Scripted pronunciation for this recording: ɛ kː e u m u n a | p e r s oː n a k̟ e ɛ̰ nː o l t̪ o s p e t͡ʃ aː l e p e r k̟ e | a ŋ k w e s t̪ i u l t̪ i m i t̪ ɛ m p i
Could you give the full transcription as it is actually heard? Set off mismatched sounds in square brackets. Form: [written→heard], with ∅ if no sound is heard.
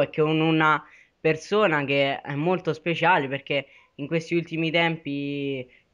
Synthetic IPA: ɛ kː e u [m→n] u n a | p e r s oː n a k̟ e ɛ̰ [nː→mː] o l t̪ o s p e t͡ʃ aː l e p e r k̟ e | [a→i] ŋ k w e s t̪ i u l t̪ i m i t̪ ɛ m p i

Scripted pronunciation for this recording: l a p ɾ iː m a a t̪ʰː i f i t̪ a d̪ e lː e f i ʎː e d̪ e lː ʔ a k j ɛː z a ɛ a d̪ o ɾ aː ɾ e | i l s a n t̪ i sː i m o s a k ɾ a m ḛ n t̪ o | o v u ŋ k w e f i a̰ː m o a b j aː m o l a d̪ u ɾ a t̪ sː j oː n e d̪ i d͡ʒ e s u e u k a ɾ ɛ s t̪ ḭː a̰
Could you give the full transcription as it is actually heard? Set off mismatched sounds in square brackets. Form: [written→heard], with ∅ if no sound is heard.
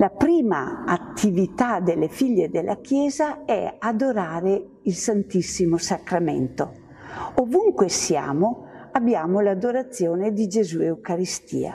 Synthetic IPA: l a p ɾ iː m a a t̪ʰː i [f→v] i t̪ a d̪ e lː e f i ʎː e d̪ e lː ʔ a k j ɛː z a ɛ a d̪ o ɾ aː ɾ e | i l s a n t̪ i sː i m o s a k ɾ a m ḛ n t̪ o | o v u ŋ k w e [f→s] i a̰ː m o a b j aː m o l a d̪ [u→o] ɾ a t̪ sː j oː n e d̪ i d͡ʒ e [s→z] u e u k a ɾ [ɛ→i] s t̪ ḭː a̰

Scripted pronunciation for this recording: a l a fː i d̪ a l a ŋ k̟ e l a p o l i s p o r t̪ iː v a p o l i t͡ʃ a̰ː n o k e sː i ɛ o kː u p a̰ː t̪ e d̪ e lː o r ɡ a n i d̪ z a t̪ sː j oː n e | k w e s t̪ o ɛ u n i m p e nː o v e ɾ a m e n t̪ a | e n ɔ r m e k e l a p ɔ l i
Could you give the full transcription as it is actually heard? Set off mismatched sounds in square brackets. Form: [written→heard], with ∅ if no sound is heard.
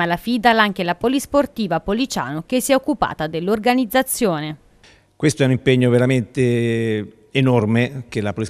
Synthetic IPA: a l a [fː→f] i d̪ a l a ŋ k̟ e l a p o l i s p o r t̪ iː v a p o l i t͡ʃ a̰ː n o k e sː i ɛ o kː u p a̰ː t̪ [e→a] d̪ e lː o r ɡ a n i d̪ z a t̪ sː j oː n e | k w e s t̪ o ɛ u n i m p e [nː→ɲː] o v e ɾ a m e n t̪ [a→e] | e n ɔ r m e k e l a p [ɔ→o] l i

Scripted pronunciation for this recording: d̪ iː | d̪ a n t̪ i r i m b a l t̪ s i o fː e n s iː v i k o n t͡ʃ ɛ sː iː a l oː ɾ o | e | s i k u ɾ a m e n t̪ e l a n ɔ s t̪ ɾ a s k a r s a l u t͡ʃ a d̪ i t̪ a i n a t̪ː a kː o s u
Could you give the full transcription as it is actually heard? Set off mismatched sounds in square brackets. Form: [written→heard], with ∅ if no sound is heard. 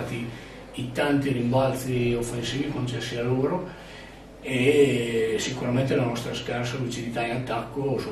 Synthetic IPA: [d̪→t̪] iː | [d̪→t̪] a n t̪ i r i m b a l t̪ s i o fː e n s iː v i k o n t͡ʃ ɛ sː [iː→i] a l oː ɾ o | e | s i k u ɾ a m e n t̪ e l a n ɔ s t̪ ɾ a s k a r s a l u t͡ʃ [a→i] d̪ i t̪ a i n a t̪ː a kː o s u

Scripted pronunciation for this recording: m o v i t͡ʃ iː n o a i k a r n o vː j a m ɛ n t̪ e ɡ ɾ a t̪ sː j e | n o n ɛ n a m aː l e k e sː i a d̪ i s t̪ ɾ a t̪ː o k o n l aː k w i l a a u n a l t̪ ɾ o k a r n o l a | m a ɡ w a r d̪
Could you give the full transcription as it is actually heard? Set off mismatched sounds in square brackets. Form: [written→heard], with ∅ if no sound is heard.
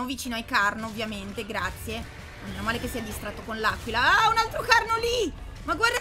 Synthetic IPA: m o v i t͡ʃ iː n o a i k a r n o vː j a m [ɛ→e] n t̪ e ɡ ɾ a t̪ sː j e | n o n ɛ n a m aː l e k e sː i a d̪ i s t̪ ɾ a t̪ː o k o n l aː k w i l a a u n a l t̪ ɾ o k a r n o l [a→i] | m a ɡ w a r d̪

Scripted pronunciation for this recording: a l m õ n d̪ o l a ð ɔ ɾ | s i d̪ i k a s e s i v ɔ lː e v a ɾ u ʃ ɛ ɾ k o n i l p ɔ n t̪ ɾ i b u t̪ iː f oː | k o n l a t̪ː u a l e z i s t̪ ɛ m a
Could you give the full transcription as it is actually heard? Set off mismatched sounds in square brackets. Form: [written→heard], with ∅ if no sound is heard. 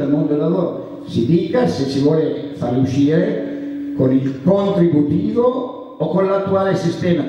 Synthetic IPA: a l m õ n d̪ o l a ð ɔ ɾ | s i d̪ i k a s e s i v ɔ [lː→l] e [v→f] a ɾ u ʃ [ɛ→i] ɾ k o n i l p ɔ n t̪ ɾ i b u t̪ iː [f→v] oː | k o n l a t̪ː u a l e [z→s] i s t̪ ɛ m a

